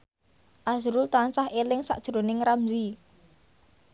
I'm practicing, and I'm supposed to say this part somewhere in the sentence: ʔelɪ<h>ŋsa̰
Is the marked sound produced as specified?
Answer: no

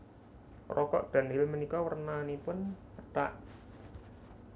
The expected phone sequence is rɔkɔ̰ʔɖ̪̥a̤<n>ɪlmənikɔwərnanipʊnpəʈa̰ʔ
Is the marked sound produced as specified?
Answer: yes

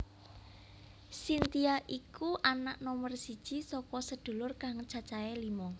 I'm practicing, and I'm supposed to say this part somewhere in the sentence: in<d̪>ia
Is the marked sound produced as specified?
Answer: no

